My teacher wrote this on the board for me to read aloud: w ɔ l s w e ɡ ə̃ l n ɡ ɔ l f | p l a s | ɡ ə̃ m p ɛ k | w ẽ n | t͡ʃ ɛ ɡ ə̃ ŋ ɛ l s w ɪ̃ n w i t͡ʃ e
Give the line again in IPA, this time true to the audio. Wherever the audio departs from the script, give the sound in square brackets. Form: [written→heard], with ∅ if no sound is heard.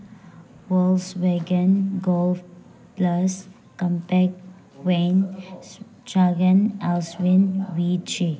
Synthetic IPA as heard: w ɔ l s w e ɡ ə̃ [l→∅] n ɡ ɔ l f | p l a s | [ɡ→k] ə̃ m p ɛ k | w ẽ n | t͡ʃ [ɛ→a] ɡ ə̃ [ŋ→n] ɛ l s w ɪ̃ n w i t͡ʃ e